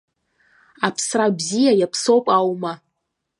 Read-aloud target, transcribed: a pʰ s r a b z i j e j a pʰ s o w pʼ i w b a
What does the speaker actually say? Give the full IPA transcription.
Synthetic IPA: a pʰ s r a b z i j a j a pʰ s o w pʼ a w m a